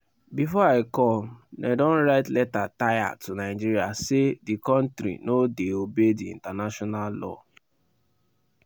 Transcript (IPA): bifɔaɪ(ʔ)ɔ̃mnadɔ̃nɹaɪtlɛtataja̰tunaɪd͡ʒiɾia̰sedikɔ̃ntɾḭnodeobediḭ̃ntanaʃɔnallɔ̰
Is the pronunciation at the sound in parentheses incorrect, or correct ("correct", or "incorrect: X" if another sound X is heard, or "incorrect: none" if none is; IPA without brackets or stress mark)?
incorrect: k